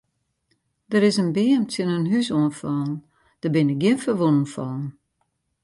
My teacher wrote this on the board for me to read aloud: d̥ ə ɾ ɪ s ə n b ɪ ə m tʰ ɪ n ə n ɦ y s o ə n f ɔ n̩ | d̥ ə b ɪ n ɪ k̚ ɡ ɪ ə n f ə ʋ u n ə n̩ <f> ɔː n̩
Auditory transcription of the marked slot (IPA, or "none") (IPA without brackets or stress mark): f